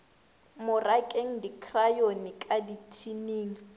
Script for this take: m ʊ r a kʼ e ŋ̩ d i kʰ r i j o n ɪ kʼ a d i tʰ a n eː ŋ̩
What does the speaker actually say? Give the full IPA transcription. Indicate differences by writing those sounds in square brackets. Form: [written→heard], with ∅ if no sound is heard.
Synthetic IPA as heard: m ʊ r a kʼ e ŋ̩ d i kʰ r [i→a] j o n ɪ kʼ a d i tʰ [a→i] n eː ŋ̩